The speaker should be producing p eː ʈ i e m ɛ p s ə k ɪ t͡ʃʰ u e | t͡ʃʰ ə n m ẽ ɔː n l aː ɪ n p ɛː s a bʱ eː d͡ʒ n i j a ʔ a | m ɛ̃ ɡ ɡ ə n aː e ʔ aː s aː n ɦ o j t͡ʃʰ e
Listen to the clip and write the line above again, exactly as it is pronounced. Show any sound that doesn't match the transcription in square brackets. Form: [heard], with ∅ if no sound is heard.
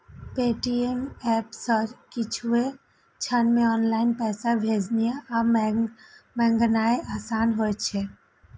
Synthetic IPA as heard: p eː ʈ i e m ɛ p s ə k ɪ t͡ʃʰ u e | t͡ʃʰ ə n m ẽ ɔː n l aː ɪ n p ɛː s a bʱ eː d͡ʒ n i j a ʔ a | m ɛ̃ [ŋ] ɡ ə n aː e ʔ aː s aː n ɦ o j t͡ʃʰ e